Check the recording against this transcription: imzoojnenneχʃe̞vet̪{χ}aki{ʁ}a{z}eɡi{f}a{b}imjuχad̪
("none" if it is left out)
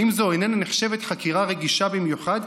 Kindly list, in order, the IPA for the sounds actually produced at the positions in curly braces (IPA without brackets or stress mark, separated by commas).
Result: χ, ʁ, ʁ, ʃ, b